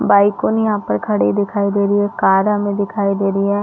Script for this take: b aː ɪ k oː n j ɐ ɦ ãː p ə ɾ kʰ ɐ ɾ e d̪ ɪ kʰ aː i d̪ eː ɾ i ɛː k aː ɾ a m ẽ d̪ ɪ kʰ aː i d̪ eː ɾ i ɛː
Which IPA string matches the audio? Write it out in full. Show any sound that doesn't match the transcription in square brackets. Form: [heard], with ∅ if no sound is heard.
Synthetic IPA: b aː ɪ k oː n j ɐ ɦ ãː p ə ɾ kʰ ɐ [ɽ] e d̪ ɪ kʰ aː i d̪ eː ɾ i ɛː k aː ɾ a m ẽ d̪ ɪ kʰ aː i d̪ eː ɾ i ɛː